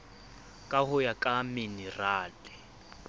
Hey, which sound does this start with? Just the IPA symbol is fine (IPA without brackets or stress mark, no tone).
kʼ